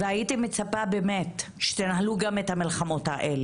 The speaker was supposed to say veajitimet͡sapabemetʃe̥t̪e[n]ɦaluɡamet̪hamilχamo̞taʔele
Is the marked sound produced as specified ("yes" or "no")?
yes